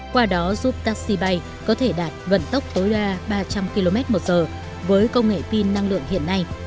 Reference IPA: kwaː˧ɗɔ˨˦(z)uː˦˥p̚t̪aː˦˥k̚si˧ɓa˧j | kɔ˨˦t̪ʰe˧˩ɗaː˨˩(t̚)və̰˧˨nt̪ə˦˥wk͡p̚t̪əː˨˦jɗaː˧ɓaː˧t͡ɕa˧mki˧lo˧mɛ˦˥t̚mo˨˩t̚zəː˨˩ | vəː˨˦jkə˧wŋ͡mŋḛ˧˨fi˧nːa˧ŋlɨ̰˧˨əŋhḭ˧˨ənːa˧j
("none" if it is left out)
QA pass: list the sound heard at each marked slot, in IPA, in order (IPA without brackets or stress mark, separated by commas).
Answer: z, t̚